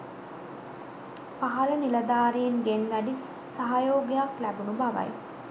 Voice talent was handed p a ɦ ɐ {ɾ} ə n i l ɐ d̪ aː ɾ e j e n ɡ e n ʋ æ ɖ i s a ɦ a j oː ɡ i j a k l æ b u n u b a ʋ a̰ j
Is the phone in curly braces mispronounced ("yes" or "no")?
yes